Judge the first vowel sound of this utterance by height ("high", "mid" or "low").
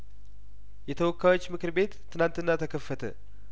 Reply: mid